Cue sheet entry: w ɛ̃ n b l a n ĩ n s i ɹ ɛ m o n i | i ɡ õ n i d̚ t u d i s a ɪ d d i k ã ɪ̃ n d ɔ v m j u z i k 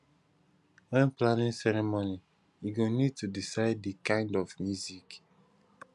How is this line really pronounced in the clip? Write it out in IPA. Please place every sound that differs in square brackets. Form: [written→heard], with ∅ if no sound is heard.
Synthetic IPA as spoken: w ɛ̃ n [b→p] l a n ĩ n s [i→ɛ] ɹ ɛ m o n i | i ɡ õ n i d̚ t u d i s a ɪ d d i k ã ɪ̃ n d ɔ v m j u z i k